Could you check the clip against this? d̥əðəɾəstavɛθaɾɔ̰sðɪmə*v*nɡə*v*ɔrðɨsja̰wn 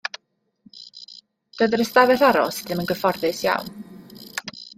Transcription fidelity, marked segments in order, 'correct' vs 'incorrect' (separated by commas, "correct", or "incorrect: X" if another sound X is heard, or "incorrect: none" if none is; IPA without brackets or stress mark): incorrect: none, incorrect: f